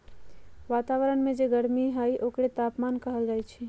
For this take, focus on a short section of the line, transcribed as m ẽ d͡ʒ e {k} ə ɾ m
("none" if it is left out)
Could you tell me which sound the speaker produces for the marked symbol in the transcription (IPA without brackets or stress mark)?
ɡ